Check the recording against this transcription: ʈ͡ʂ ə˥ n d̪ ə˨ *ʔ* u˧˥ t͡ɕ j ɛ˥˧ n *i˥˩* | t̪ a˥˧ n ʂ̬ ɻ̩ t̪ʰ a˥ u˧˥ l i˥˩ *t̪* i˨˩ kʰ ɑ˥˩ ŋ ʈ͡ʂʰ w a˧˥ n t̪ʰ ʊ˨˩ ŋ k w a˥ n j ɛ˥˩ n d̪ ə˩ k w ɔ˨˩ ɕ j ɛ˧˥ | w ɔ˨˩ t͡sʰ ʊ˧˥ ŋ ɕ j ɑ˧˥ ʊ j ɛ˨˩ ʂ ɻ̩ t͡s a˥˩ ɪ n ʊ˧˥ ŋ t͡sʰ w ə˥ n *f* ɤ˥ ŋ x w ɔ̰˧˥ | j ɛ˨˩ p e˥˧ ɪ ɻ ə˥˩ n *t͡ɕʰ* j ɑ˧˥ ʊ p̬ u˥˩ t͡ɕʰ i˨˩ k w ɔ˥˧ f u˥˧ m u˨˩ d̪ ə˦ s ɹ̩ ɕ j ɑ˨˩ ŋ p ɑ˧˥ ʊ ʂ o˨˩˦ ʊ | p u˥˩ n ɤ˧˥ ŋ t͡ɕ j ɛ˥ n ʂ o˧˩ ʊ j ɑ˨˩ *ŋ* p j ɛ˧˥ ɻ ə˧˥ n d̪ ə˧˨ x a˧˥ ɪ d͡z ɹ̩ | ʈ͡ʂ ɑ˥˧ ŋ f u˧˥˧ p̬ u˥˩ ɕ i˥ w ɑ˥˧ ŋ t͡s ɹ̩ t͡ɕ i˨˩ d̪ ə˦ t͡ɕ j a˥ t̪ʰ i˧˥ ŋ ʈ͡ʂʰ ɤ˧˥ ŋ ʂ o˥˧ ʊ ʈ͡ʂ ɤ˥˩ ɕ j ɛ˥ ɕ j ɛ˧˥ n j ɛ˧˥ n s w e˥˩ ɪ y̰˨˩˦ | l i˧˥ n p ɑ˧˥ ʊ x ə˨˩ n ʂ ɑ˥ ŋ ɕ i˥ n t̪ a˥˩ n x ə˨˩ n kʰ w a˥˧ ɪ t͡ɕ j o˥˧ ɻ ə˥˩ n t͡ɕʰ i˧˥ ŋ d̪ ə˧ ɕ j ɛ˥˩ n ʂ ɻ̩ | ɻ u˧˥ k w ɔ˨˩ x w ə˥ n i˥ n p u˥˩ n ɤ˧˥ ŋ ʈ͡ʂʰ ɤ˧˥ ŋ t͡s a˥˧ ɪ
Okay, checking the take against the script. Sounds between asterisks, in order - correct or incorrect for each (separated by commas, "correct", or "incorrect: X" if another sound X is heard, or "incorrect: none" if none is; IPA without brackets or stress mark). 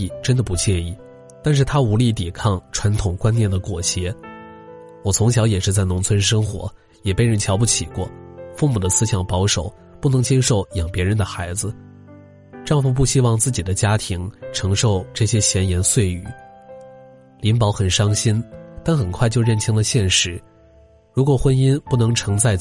incorrect: p, correct, correct, incorrect: ʂ, correct, correct